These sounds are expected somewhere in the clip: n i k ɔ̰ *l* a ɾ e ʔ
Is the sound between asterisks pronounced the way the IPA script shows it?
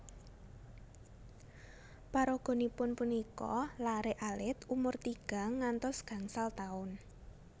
yes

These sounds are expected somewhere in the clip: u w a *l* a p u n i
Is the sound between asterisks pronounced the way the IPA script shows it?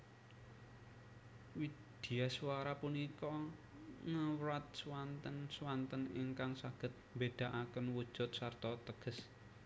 no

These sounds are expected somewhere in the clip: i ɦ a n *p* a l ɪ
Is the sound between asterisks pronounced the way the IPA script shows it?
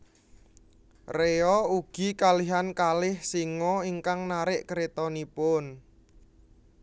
no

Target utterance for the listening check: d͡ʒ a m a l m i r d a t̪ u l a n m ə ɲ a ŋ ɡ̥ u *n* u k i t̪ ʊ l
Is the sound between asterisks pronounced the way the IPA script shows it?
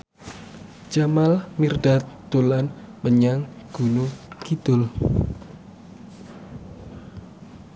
yes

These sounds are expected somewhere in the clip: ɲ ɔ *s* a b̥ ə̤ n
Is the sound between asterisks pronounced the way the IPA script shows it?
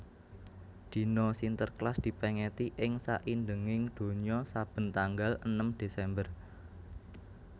yes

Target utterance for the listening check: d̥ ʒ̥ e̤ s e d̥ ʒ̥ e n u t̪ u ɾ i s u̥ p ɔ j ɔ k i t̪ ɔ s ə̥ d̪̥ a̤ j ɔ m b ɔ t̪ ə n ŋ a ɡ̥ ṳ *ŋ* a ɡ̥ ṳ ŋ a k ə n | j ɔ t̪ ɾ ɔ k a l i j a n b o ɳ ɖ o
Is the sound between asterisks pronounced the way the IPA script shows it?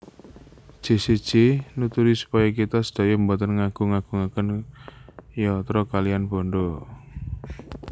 yes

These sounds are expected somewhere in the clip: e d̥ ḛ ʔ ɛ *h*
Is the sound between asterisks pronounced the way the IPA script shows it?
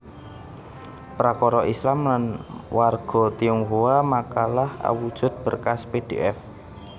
no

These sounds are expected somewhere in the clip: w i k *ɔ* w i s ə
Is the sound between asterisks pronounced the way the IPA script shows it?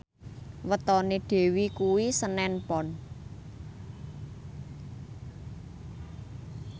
no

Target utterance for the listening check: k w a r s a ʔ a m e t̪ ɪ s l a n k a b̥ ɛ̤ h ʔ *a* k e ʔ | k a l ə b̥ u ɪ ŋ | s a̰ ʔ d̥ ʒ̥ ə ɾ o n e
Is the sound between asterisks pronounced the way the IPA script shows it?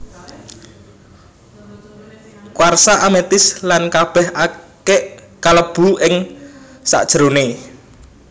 yes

